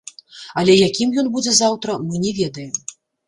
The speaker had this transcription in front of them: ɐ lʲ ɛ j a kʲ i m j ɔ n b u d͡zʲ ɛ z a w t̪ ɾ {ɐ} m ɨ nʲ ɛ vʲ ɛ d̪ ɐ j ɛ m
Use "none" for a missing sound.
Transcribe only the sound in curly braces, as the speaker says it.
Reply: ɐ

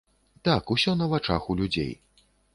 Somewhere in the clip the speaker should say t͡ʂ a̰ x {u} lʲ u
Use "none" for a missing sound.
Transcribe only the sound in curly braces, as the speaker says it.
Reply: u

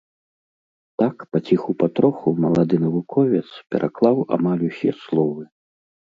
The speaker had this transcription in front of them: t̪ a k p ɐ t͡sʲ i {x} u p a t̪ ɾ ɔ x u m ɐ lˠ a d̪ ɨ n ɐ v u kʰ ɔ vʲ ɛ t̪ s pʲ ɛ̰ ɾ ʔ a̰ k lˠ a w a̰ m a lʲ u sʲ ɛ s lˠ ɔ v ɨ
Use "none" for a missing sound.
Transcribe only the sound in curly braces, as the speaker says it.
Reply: x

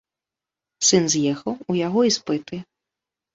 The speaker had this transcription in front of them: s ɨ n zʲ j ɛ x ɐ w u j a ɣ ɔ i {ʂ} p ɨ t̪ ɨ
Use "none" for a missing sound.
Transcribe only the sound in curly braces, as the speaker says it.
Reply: s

